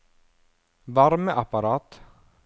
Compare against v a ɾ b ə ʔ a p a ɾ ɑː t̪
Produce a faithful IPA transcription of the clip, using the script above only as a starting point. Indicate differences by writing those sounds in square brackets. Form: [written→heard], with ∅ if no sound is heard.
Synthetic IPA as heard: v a ɾ [b→m] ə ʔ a p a ɾ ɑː t̪